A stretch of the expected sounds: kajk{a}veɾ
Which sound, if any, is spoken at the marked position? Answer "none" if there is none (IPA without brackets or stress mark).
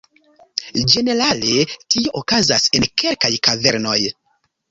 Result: a